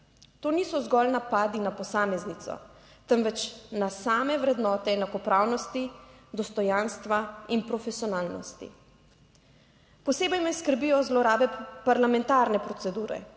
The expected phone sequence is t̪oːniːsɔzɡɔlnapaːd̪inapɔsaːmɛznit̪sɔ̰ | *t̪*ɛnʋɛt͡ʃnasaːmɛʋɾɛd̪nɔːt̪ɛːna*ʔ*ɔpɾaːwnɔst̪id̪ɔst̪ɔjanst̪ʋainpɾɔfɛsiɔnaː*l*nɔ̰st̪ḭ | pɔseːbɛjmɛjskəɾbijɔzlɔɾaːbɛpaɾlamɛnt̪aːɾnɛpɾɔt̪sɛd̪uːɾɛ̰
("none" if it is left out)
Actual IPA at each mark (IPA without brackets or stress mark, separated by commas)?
t̪, k, l